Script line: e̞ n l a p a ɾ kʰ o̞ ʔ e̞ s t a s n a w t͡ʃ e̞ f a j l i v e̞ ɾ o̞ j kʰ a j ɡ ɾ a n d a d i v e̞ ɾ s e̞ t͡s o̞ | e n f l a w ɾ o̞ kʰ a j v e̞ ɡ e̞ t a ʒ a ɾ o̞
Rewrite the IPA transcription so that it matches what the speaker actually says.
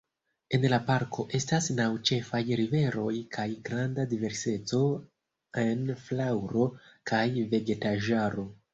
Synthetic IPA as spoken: e̞ n l a p a ɾ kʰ o̞ ʔ e̞ s t a s n a w t͡ʃ e̞ f a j ɾ i v e̞ ɾ o̞ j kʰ a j ɡ ɾ a n d a d i v e̞ ɾ s e̞ t͡s o̞ | e n f l a w ɾ o̞ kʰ a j v e̞ ɡ e̞ t a ʒ a ɾ o̞